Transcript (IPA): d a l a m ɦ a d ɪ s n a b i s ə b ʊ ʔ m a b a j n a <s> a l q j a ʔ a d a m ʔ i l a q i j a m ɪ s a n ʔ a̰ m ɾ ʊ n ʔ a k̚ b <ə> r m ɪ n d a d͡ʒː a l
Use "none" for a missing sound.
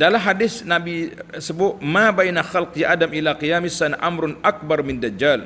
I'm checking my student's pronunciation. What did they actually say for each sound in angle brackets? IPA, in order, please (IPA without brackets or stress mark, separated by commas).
x, a